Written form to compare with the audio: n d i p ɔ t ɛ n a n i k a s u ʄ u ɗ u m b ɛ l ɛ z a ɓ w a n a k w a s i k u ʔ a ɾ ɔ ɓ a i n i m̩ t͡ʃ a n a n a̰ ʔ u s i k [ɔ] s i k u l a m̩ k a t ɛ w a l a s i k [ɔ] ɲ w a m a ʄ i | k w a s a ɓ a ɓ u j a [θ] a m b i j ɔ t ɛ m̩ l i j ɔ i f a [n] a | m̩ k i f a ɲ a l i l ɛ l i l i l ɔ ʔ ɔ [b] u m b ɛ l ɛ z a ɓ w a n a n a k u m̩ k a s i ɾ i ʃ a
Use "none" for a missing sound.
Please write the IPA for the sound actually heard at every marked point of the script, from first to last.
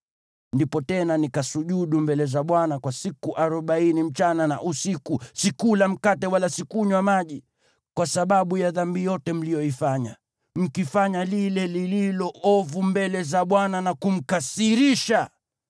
u, u, ð, ɲ, v

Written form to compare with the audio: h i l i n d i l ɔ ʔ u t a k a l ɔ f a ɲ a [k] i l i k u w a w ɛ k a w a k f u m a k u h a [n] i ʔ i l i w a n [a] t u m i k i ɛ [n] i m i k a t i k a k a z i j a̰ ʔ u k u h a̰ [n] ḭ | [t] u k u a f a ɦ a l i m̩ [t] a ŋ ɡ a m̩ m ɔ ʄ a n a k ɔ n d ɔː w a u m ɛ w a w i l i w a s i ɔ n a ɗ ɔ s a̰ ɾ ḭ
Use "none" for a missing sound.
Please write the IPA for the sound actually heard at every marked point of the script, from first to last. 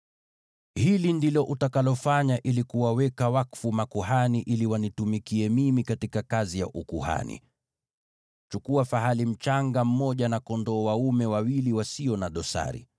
ʔ, n, i, m, n, t͡ʃ, t͡ʃ

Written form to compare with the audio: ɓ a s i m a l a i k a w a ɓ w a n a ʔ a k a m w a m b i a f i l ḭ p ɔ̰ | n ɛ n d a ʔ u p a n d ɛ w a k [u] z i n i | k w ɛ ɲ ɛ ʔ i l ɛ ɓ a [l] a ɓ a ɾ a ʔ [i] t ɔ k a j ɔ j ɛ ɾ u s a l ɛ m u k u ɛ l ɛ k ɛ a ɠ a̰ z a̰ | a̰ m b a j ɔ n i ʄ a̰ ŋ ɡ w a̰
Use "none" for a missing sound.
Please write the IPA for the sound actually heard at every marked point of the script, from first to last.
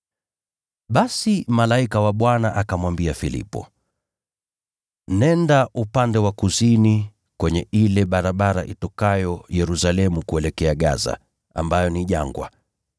u, ɾ, i

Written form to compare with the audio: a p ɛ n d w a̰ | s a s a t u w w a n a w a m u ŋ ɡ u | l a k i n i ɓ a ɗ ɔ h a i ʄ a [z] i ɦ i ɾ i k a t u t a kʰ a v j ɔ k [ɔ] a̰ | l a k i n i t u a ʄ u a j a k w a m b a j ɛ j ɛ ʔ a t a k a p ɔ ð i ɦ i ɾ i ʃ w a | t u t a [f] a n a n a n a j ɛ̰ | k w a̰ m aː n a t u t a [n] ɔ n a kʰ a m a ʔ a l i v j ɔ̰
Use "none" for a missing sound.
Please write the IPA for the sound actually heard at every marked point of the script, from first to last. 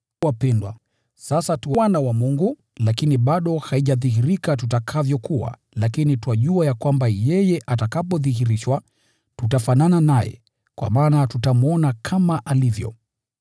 ð, u, f, m

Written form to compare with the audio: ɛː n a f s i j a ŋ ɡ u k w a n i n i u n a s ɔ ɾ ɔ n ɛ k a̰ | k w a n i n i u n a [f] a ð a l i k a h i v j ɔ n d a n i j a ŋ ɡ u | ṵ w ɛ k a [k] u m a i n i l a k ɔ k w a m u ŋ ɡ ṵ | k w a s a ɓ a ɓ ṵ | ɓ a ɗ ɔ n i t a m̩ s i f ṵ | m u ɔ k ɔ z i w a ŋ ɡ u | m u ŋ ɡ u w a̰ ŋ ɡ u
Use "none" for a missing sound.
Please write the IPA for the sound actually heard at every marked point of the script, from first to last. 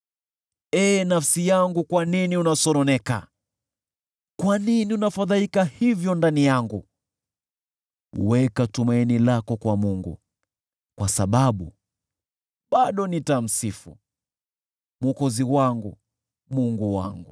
f, t

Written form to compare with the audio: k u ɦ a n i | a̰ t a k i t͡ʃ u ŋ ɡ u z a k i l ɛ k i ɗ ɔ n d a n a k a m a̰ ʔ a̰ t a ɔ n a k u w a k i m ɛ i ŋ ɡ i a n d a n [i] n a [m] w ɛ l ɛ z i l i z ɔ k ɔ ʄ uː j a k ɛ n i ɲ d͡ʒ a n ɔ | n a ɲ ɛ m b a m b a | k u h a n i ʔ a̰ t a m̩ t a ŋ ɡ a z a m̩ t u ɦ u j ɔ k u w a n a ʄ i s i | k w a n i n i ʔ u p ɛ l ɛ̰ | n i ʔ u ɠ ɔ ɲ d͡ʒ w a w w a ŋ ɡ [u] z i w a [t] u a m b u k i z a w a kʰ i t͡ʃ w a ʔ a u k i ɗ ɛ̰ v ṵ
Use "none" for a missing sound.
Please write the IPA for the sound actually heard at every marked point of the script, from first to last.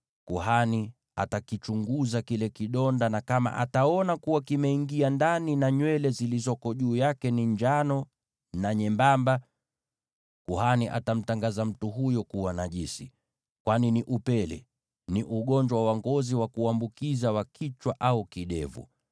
i, ɲ, ɔ, k

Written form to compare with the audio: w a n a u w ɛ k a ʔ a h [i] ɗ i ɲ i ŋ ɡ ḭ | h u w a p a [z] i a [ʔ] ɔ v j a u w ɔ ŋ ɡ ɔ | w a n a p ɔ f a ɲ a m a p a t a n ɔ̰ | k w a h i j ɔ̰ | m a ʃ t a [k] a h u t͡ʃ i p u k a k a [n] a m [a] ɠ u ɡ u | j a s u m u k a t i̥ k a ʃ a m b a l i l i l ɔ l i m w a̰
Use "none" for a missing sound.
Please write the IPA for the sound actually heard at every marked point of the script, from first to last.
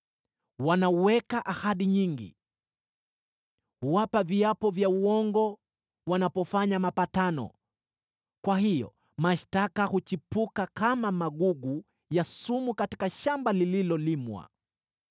a, v, p, k, m, a

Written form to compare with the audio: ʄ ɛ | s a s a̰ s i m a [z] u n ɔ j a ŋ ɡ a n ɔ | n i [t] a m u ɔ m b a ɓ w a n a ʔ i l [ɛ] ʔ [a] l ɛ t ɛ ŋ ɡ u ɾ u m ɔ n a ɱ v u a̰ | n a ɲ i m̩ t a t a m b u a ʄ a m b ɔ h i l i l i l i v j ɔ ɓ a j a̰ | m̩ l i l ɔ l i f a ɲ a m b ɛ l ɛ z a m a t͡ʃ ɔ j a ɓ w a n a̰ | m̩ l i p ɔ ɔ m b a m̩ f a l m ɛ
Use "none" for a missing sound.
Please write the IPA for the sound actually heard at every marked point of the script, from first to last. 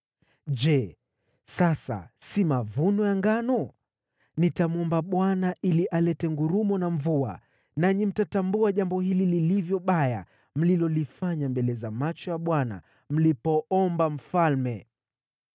v, t, i, a

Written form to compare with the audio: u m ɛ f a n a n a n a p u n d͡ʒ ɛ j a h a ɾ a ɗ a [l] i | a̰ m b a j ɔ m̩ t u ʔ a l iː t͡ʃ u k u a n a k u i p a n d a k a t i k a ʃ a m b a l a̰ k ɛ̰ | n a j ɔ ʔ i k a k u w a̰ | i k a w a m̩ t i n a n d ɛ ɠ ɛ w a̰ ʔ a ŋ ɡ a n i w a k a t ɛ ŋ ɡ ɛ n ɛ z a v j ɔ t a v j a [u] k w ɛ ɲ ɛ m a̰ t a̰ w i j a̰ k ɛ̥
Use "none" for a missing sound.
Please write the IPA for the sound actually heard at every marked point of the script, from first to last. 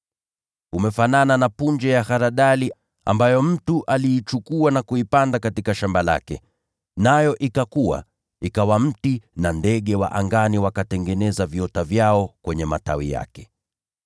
l, ɔ

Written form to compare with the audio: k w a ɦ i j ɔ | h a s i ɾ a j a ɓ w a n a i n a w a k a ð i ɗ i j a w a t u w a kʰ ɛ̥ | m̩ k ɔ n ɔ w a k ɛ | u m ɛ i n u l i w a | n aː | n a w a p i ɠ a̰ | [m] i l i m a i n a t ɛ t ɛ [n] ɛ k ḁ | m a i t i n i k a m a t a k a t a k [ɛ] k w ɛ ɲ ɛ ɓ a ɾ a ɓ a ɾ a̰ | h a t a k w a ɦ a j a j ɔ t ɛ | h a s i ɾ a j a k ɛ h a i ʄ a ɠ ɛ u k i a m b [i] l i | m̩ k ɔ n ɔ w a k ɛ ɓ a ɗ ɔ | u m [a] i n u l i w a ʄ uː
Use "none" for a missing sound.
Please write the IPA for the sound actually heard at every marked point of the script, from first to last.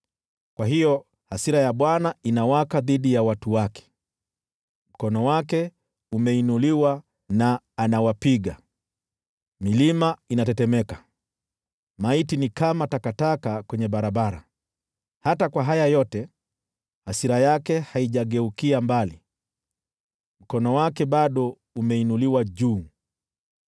m, m, a, a, ɛ

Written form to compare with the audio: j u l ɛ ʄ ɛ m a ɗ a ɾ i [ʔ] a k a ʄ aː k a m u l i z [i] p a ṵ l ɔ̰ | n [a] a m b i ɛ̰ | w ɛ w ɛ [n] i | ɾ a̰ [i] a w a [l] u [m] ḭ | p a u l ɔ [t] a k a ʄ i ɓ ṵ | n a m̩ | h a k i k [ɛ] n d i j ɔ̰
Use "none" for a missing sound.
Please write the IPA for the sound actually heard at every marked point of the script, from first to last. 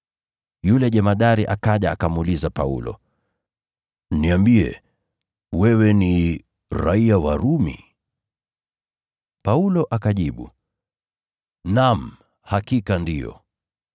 ʔ, a, i, n, i, ɾ, m, ʔ, a

